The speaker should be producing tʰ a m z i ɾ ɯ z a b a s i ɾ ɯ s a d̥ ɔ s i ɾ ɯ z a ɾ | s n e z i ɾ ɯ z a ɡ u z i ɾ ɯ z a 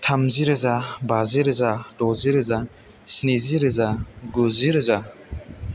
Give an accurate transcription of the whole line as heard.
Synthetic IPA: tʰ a m z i ɾ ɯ z a b a z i ɾ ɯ z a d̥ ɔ z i ɾ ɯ z a | s n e z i ɾ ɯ z a ɡ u z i ɾ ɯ z a